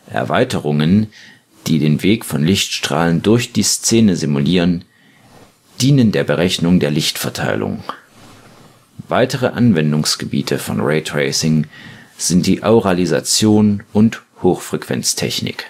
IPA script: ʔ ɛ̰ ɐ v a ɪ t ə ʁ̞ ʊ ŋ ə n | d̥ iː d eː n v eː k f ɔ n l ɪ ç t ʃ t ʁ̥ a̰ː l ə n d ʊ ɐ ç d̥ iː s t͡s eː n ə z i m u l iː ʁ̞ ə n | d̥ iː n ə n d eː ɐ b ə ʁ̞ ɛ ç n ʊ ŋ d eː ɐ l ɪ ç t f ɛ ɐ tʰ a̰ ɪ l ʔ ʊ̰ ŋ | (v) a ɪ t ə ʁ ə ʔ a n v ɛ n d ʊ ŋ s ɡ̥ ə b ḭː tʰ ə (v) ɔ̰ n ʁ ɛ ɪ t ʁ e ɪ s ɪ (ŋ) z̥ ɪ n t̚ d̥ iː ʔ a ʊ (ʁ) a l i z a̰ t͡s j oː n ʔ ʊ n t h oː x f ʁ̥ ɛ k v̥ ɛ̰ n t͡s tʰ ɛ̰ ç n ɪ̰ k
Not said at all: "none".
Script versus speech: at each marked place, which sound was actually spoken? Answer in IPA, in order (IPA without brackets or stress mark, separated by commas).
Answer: v, f, ŋ, ʁ